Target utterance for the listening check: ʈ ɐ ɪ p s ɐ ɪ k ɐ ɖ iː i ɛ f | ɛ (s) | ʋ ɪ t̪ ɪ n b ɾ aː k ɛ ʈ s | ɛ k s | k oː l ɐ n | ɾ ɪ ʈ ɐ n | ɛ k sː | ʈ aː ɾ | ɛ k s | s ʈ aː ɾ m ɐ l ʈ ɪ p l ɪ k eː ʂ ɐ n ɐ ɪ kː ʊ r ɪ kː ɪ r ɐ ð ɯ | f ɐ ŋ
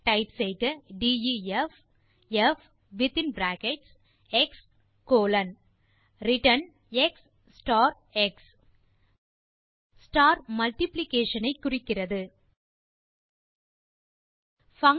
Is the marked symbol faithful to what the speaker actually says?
no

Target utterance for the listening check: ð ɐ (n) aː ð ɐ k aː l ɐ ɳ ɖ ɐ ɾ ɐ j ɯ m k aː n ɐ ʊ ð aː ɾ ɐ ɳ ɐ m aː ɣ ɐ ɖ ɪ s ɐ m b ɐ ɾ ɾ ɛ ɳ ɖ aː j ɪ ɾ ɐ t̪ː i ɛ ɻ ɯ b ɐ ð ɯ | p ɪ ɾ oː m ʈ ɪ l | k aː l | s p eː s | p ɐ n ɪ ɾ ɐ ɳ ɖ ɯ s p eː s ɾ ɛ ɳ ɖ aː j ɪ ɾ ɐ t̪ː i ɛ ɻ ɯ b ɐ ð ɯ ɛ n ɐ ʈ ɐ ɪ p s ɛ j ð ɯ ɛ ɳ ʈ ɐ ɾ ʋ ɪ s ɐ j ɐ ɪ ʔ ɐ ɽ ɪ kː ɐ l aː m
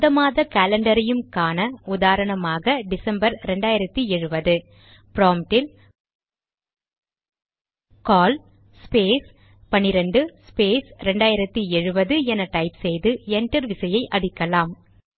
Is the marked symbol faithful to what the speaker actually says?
no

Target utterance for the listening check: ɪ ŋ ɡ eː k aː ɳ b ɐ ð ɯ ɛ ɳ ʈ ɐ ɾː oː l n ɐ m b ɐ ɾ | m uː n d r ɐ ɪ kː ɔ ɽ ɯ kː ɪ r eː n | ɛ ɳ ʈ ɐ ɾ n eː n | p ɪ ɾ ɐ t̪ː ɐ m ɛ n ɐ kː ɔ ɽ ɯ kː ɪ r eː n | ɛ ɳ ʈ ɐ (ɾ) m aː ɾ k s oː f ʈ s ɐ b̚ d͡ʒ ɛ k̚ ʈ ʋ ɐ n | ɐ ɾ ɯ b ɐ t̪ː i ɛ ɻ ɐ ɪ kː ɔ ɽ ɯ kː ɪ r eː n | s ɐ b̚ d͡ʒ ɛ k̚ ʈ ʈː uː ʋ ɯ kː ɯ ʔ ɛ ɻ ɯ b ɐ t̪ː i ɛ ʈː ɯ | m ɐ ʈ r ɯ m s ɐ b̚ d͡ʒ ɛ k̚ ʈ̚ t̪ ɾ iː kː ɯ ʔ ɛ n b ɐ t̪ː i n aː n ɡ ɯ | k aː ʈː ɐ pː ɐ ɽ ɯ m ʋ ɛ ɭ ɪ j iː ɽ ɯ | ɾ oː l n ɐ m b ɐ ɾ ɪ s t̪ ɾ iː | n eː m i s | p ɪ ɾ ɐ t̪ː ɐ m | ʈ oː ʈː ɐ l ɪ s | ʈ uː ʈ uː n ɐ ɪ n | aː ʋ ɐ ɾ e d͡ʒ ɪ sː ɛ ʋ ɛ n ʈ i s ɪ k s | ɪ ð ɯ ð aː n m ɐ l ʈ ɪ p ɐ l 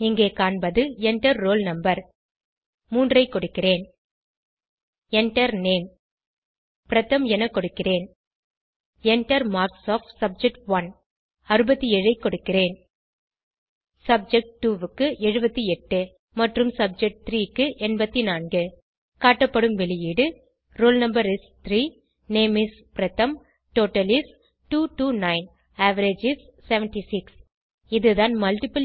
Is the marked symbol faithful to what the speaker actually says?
yes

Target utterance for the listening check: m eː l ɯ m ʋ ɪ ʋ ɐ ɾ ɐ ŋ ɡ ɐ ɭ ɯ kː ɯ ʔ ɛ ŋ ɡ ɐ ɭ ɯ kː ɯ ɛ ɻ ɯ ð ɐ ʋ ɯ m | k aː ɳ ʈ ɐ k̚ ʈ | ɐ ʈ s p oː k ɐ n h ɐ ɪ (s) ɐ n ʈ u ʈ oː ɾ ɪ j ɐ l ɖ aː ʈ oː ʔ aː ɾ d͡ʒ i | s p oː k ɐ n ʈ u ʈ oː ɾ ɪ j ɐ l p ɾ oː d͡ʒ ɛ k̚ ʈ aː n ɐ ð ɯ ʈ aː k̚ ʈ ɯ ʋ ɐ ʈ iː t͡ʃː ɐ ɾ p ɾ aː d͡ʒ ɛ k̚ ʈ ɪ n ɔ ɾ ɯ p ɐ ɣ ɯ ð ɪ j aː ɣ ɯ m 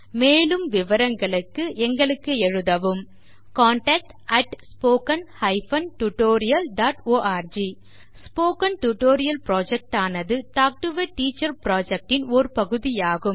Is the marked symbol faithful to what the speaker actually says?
no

